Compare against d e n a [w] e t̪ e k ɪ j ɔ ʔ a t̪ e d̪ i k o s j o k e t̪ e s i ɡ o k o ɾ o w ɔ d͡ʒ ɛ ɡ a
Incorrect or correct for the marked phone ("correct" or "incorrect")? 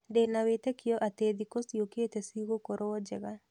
correct